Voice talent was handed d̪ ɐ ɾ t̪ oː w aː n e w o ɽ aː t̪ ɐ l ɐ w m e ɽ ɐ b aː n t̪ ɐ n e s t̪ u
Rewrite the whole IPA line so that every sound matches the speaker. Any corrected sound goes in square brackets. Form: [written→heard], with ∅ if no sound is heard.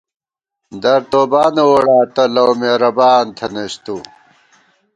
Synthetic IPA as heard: d̪ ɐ ɾ t̪ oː [w→b] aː n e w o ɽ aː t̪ ɐ l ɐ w m e [ɽ→ɾ] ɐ b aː n [t̪→t̪ʰ] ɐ n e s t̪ u